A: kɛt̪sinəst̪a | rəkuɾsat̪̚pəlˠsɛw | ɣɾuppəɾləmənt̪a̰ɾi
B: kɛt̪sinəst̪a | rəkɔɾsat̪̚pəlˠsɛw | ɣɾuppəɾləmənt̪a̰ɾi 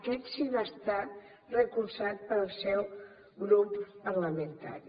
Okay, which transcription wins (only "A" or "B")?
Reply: A